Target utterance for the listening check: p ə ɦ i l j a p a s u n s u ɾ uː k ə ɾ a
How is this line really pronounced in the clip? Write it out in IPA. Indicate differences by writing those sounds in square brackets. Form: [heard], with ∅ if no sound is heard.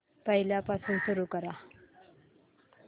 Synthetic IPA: p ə ɦ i l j a p a s [uː] n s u ɾ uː k ə ɾ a